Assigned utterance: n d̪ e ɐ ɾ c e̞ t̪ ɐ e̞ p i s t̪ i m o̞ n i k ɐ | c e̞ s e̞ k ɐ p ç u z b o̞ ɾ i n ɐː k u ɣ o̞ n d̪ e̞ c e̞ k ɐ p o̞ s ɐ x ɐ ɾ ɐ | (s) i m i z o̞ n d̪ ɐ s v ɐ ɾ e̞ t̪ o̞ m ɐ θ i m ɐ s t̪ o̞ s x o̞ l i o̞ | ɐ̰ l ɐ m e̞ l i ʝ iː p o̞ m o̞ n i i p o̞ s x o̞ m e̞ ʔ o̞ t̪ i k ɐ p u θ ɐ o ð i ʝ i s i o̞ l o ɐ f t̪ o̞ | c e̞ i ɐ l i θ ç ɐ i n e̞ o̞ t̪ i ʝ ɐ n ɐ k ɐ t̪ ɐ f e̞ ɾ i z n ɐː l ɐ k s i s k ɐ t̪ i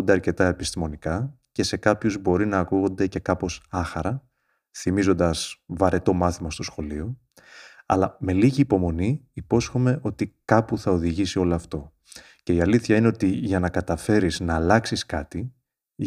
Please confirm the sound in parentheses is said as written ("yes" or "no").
no